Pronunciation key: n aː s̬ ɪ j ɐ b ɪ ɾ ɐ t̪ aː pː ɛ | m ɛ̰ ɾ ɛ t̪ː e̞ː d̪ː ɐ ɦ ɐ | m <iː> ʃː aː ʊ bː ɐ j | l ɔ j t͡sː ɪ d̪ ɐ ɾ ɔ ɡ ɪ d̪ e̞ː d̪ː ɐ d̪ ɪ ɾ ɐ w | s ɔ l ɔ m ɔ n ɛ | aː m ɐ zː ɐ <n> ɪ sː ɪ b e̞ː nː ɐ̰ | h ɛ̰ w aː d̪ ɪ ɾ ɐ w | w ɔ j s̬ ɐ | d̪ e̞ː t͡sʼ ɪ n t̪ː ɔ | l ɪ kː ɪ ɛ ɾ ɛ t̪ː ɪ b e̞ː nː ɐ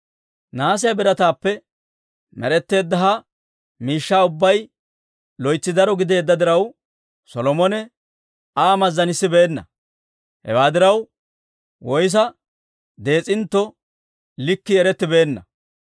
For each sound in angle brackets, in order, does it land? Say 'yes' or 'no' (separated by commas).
yes, yes